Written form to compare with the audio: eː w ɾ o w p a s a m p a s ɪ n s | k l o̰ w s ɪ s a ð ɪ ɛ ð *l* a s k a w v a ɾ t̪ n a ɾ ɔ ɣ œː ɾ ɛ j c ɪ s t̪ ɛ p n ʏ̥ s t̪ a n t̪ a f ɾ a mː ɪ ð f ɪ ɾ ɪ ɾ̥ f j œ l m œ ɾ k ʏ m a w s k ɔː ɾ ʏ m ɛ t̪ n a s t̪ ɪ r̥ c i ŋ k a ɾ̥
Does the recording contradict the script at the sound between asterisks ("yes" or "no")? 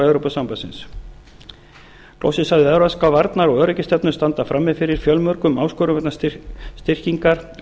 yes